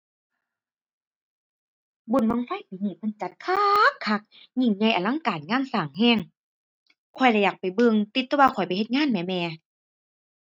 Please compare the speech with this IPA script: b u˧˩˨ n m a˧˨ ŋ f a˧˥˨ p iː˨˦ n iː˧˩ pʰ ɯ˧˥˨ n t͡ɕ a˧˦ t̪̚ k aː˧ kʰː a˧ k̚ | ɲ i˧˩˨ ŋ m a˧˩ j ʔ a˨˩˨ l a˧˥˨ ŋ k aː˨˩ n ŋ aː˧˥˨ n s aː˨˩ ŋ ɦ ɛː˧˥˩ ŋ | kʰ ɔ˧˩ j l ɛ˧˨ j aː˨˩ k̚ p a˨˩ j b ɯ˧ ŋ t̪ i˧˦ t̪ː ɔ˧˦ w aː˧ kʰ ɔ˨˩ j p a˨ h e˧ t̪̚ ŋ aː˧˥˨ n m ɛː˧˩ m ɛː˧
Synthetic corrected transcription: b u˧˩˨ n m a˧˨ ŋ f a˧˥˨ p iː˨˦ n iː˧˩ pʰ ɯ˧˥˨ n t͡ɕ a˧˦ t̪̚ kʰ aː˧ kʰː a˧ k̚ | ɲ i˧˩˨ ŋ ɲ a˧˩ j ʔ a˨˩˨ l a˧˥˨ ŋ k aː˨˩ n ŋ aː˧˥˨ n s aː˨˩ ŋ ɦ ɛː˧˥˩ ŋ | kʰ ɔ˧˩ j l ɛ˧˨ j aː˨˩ k̚ p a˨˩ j b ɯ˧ ŋ t̪ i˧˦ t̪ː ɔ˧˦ w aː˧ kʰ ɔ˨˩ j p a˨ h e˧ t̪̚ ŋ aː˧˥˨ n m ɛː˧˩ m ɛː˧